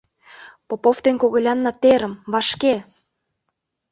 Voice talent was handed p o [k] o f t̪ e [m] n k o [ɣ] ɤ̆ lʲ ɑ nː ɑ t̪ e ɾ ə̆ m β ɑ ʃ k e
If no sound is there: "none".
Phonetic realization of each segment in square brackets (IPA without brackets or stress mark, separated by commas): p, none, ɣ